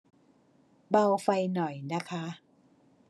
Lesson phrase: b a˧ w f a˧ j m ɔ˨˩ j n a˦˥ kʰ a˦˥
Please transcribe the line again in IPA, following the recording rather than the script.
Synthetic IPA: b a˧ w f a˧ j n ɔ˨˩ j n a˦˥ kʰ a˦˥